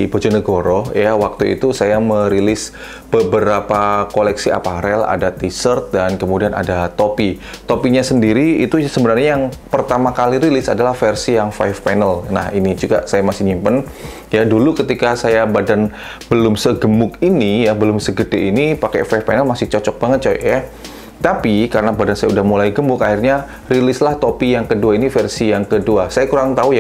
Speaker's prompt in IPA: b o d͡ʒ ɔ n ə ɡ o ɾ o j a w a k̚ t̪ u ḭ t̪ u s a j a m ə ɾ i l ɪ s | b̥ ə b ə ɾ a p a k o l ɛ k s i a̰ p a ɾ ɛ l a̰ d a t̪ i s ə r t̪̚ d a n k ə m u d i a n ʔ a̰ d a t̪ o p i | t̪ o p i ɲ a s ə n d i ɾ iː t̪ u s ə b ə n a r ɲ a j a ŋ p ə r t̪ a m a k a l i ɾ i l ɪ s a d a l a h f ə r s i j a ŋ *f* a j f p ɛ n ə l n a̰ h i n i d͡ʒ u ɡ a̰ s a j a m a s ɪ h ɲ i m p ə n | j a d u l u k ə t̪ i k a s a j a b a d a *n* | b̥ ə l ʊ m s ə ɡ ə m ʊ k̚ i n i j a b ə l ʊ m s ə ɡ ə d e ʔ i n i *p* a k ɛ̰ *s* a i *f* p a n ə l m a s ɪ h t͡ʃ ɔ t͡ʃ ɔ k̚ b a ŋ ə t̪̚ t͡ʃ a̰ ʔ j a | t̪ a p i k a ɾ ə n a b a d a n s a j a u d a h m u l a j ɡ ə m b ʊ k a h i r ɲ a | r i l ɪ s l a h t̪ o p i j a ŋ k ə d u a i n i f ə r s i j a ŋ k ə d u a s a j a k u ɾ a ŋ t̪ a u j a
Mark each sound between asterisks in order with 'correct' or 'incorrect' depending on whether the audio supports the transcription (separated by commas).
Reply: correct, correct, correct, incorrect, correct